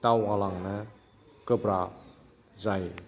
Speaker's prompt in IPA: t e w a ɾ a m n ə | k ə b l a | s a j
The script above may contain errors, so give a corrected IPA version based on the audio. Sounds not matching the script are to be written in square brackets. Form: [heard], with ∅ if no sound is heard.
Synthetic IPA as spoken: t [a] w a [l] a [ŋ] n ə | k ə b [ɾ] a | [z] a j